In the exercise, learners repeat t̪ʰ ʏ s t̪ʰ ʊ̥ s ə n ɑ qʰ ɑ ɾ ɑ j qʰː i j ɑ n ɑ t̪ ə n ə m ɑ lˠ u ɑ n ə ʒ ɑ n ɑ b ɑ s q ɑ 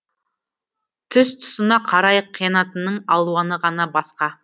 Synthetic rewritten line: t̪ʰ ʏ s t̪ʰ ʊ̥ s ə n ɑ qʰ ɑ ɾ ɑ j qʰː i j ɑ n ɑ t̪ ə n ə ɴ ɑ lˠ u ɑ n ə ʁ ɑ n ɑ b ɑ s q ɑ